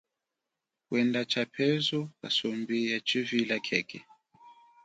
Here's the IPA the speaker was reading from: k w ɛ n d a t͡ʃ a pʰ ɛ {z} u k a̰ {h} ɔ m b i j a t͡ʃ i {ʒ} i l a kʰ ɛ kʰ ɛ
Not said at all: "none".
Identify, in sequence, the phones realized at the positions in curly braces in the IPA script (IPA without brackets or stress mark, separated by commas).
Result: z, s, v